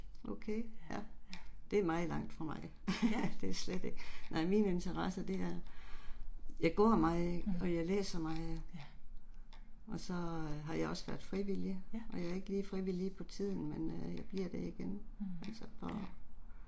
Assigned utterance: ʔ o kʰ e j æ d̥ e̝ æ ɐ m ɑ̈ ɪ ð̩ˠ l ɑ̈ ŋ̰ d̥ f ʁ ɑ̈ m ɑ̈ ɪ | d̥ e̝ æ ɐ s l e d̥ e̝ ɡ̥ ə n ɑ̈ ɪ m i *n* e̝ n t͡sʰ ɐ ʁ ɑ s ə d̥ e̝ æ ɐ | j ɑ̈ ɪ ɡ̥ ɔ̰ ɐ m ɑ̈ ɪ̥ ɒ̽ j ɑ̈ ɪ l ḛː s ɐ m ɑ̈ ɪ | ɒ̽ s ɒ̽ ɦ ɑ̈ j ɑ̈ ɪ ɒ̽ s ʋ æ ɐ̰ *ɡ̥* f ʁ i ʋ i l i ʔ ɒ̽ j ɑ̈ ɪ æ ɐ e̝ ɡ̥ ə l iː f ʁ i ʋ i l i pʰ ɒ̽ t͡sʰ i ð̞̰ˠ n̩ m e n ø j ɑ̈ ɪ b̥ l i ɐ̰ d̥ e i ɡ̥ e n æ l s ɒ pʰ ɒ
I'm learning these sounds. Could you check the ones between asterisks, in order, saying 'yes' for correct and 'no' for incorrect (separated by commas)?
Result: yes, no